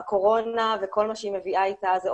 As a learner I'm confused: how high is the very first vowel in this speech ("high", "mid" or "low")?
mid